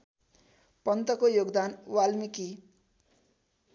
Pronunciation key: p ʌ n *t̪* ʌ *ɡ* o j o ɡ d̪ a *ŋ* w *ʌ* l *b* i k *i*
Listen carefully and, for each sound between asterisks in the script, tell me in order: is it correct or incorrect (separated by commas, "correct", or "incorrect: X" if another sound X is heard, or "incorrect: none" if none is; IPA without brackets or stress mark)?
correct, incorrect: k, incorrect: n, incorrect: a, incorrect: m, correct